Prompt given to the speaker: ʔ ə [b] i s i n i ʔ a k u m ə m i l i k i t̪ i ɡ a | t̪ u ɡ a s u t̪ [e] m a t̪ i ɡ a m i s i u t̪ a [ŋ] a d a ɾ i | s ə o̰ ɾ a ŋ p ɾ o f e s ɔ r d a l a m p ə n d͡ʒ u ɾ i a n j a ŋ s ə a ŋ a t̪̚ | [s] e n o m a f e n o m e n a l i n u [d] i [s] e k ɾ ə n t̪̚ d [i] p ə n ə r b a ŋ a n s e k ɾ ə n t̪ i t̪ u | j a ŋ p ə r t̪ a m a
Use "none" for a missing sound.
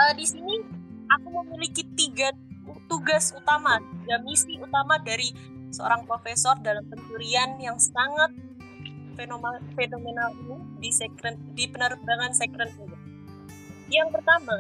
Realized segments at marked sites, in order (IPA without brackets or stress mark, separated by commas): d, a, m, f, d, s, i